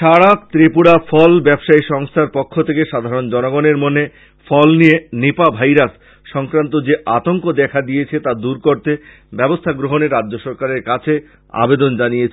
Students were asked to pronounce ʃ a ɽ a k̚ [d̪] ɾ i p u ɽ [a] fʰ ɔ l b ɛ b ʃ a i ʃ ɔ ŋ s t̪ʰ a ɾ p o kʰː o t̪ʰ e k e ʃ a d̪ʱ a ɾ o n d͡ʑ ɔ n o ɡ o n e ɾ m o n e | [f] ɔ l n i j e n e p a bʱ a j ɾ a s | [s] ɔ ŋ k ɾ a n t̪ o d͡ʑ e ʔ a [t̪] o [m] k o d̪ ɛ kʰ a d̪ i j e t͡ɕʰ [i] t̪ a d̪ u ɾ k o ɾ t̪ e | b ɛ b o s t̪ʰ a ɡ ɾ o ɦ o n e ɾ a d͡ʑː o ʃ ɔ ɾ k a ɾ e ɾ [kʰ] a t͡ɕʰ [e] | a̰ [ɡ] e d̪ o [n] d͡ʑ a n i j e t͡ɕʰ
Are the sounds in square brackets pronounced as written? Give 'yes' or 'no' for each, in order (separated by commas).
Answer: no, yes, yes, no, yes, no, no, no, yes, no, yes